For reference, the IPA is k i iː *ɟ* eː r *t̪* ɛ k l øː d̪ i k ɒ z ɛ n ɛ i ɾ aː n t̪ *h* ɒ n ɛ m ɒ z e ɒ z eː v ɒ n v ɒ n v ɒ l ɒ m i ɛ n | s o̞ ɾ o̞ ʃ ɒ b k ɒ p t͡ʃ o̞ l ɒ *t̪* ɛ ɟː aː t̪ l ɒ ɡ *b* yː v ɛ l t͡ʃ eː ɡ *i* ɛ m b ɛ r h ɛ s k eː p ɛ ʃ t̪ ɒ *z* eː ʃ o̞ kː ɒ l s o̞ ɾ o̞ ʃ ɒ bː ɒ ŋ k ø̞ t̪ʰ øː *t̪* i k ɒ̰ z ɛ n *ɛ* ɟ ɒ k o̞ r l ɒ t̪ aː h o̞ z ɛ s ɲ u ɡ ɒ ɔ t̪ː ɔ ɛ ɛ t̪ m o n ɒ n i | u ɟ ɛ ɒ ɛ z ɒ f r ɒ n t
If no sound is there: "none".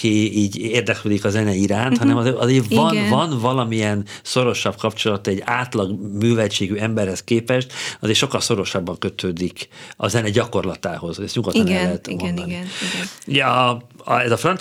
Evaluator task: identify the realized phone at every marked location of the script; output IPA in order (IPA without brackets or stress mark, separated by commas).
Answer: ɟ, d̪, h, t̪, m, y, z, d̪, ɛ